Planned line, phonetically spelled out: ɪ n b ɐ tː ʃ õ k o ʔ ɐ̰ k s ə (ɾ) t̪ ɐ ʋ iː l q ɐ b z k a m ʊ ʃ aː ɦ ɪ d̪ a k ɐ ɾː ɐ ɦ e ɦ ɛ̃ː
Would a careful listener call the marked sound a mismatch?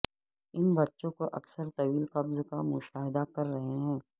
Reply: no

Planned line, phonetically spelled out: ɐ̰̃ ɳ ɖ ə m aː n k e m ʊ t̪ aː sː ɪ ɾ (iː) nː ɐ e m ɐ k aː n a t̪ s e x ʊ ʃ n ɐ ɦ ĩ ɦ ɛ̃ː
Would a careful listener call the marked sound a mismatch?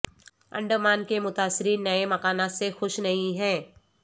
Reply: no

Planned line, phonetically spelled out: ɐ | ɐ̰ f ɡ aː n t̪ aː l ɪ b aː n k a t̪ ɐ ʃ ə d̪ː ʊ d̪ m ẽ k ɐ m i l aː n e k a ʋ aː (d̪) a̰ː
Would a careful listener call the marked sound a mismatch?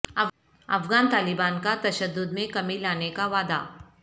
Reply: no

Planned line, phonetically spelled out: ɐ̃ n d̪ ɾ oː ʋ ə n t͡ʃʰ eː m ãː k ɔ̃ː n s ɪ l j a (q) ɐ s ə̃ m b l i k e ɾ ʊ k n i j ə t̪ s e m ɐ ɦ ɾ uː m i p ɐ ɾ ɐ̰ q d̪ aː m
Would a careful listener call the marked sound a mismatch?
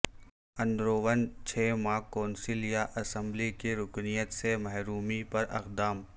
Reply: yes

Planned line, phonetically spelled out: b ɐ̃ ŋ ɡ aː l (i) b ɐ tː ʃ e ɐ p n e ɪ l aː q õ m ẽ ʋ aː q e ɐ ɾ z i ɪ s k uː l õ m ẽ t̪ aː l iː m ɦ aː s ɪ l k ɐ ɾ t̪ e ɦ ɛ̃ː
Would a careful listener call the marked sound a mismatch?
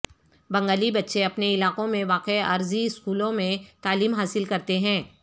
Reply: no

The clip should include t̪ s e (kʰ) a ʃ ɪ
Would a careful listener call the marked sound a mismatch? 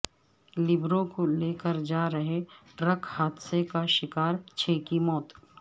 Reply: yes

